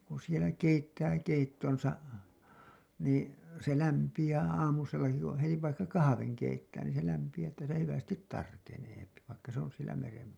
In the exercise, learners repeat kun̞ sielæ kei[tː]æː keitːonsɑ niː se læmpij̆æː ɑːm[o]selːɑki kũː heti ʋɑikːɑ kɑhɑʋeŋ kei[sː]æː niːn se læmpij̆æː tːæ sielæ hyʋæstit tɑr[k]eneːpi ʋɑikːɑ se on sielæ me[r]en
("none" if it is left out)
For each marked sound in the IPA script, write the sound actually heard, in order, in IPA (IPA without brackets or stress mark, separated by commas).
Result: tː, u, tː, k, r